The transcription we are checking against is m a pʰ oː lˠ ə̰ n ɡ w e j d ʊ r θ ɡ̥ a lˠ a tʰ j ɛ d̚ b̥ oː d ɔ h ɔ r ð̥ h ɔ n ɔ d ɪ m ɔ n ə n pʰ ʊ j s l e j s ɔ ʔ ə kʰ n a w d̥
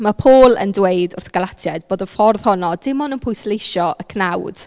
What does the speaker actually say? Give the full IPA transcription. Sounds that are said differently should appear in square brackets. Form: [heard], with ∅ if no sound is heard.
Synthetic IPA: m a pʰ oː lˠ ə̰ n [d] w e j d ʊ r θ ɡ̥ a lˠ a tʰ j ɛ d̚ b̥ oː d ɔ [f] ɔ r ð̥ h ɔ n ɔ d ɪ m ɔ n ə n pʰ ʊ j s l e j [ʃ] ɔ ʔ ə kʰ n a w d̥